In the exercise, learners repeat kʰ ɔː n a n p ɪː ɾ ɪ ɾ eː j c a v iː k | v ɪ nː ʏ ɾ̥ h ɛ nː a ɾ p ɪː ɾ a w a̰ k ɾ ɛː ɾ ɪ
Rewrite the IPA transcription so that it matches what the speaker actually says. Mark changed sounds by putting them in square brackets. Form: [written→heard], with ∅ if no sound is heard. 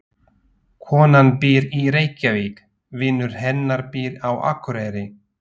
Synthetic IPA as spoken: kʰ ɔː n a n p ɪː ɾ [ɪ→i] ɾ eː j c a v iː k | v ɪ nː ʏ ɾ̥ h ɛ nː a ɾ p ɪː ɾ a w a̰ k ɾ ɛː ɾ ɪ